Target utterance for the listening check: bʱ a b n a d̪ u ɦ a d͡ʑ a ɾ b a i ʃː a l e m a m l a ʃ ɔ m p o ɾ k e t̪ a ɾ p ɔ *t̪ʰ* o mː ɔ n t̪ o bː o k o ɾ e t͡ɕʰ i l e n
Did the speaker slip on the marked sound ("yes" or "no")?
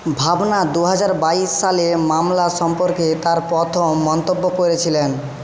no